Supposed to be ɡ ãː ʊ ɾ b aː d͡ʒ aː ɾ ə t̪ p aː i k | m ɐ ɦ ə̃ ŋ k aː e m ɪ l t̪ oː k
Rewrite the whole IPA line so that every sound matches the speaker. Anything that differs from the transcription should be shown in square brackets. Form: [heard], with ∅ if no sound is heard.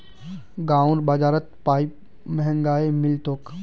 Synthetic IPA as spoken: ɡ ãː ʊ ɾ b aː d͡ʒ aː ɾ ə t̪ p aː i [p] | m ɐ ɦ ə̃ ŋ [ɡ] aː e m ɪ l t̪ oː k